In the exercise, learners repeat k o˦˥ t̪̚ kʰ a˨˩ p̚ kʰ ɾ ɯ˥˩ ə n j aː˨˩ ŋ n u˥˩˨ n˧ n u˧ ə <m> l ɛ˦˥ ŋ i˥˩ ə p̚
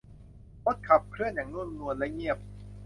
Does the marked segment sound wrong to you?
yes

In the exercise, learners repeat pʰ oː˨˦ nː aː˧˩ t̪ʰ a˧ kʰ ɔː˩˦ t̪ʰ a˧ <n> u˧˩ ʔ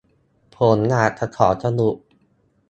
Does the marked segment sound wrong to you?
no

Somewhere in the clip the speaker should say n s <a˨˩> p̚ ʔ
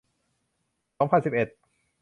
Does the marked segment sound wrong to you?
yes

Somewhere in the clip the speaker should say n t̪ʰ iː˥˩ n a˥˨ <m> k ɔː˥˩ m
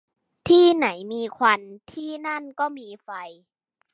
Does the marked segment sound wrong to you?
yes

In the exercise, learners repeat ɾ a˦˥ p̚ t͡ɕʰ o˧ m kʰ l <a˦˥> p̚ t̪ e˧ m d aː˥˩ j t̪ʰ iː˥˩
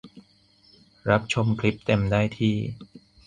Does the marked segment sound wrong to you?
yes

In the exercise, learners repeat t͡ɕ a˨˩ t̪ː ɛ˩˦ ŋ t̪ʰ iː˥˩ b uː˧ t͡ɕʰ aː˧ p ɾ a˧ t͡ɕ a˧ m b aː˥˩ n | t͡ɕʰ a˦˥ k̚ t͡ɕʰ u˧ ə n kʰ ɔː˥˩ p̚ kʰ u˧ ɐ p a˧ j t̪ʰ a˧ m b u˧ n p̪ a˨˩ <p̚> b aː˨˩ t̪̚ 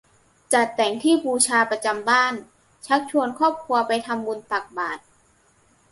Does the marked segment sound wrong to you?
yes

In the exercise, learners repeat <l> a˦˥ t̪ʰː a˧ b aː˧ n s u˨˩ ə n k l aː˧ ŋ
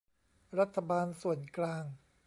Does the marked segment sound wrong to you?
yes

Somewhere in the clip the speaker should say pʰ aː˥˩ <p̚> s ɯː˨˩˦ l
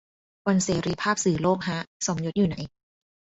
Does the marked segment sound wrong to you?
no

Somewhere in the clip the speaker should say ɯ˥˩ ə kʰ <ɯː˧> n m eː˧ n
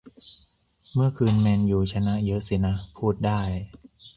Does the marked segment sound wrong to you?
no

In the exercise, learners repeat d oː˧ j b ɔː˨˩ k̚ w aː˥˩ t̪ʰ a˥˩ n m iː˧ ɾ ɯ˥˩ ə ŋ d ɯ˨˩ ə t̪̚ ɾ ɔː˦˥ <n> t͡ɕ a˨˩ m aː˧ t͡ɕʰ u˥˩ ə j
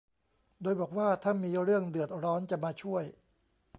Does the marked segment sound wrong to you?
no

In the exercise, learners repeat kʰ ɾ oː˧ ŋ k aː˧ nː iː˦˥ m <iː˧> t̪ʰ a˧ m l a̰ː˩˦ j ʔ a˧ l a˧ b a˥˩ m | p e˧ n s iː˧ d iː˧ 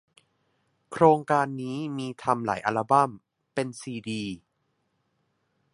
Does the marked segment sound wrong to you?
no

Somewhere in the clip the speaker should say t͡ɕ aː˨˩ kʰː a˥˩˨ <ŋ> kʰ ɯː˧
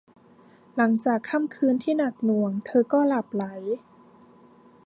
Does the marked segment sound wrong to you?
yes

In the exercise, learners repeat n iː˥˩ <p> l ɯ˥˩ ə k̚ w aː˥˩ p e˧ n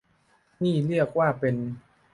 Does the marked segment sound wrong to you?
yes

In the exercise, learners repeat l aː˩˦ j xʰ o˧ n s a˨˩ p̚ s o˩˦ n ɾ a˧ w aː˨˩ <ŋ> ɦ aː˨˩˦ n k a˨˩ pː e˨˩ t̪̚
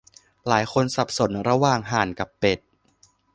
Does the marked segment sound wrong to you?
no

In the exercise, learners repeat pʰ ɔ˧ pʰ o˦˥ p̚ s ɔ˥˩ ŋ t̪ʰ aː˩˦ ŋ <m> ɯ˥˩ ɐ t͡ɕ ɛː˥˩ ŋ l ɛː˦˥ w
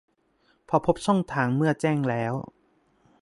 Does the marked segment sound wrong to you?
no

